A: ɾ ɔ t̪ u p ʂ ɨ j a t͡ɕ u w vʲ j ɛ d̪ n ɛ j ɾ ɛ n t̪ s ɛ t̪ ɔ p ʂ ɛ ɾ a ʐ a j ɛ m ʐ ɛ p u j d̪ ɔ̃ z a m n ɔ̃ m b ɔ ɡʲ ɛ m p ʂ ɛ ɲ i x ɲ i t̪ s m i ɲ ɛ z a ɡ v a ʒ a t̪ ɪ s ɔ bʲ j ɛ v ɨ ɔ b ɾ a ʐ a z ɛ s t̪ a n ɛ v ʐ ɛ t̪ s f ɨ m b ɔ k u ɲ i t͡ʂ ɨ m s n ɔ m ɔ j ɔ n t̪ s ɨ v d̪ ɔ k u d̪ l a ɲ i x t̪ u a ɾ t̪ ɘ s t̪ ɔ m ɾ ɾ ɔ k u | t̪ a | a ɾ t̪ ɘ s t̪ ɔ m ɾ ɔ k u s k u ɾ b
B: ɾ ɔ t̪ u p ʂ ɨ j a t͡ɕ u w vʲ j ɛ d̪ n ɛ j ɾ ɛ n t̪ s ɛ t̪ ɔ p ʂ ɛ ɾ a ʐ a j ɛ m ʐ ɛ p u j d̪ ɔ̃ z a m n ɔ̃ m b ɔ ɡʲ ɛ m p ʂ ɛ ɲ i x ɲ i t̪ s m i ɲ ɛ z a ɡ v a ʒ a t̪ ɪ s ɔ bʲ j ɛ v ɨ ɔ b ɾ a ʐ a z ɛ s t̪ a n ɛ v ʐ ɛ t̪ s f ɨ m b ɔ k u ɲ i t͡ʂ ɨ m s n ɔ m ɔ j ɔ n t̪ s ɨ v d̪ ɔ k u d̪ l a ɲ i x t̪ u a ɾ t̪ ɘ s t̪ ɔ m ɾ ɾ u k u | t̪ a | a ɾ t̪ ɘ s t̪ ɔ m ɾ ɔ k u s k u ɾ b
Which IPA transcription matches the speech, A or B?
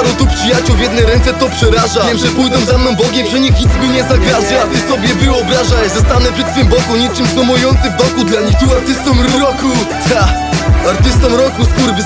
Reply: A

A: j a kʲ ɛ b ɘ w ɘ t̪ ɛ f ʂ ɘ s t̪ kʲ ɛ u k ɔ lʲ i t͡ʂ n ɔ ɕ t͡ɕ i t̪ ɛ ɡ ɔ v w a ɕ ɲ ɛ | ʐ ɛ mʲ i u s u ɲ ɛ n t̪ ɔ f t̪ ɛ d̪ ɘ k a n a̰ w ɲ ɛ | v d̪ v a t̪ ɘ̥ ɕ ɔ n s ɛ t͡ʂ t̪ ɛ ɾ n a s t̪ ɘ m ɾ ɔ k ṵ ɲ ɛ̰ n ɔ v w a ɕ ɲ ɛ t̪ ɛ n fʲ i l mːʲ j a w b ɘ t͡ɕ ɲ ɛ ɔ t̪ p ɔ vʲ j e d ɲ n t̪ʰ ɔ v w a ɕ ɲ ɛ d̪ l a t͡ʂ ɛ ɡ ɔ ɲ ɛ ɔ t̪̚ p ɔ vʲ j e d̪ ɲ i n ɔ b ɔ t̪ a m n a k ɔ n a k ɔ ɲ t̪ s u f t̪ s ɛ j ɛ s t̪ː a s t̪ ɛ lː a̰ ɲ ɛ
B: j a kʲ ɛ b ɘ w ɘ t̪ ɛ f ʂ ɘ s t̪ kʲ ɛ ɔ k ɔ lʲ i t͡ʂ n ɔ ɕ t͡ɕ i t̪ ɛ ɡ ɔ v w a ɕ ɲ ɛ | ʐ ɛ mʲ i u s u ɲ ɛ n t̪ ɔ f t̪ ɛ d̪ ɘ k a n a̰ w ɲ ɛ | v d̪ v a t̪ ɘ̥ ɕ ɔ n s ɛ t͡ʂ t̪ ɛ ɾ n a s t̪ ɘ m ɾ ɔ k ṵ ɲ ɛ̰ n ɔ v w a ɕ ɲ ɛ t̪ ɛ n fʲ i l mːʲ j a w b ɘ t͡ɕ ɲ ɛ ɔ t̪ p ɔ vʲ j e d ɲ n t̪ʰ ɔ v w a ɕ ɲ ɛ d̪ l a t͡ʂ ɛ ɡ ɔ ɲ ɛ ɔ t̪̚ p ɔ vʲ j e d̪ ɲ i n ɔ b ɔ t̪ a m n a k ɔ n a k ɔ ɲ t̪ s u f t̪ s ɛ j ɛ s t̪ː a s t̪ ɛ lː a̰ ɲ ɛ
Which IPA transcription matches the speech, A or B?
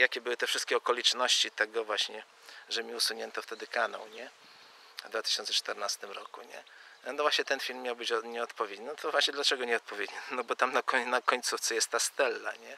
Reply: B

